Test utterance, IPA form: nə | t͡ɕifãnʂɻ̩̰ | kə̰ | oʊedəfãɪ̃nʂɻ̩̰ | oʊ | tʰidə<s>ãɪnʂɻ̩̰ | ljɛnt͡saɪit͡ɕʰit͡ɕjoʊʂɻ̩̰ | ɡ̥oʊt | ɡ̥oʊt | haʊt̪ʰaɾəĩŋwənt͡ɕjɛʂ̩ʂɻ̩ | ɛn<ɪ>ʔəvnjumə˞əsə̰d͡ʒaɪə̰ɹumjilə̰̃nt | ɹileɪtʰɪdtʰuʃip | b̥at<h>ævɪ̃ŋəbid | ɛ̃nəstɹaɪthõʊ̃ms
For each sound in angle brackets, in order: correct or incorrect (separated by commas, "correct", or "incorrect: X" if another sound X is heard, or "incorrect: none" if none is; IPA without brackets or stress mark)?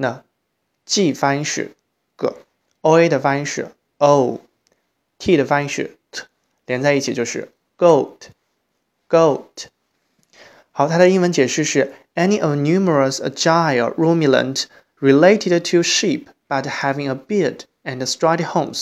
incorrect: f, incorrect: i, correct